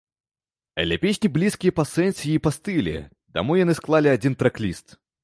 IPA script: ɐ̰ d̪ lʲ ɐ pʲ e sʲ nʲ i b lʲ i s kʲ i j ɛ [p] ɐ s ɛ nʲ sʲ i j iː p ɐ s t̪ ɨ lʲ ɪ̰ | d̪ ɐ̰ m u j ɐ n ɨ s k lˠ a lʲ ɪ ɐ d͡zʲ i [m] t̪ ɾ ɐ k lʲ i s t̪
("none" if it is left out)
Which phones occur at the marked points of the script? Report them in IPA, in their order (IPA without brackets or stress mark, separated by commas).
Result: p, n